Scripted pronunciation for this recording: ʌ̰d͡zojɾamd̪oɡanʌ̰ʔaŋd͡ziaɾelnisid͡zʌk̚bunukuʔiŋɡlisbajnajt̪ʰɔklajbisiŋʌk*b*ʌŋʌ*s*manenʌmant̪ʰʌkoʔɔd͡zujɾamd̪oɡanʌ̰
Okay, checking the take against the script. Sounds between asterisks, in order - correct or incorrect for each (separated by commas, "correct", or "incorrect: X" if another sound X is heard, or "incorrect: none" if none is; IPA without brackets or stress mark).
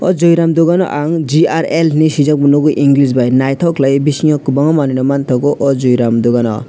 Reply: correct, incorrect: none